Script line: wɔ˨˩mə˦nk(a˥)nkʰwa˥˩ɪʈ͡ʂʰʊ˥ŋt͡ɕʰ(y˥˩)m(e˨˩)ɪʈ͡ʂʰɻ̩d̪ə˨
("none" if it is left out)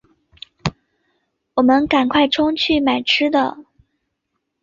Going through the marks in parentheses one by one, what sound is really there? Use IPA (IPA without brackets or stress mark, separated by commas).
a˨˩, y˥˩, a˨˩